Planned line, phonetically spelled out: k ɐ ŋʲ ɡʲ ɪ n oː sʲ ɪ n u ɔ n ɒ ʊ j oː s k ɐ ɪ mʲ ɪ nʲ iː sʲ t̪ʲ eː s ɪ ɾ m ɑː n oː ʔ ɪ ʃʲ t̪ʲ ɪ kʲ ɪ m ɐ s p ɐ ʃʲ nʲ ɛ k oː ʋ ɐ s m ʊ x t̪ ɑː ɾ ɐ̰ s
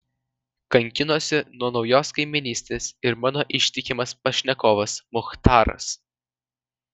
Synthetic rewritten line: k ɐ ŋʲ kʲ ɪ n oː sʲ ɪ n u ɔ n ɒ ʊ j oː s k ɐ ɪ mʲ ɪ nʲ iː sʲ t̪ʲ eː s ɪ ɾ m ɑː n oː ʔ ɪ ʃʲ t̪ʲ ɪ kʲ ɪ m ɐ s p ɐ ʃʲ nʲ ɛ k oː ʋ ɐ s m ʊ x t̪ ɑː ɾ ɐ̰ s